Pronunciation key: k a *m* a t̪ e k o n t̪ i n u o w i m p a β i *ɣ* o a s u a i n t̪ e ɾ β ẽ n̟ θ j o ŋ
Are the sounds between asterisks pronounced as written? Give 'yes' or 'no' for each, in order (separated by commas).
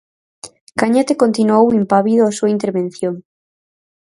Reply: no, no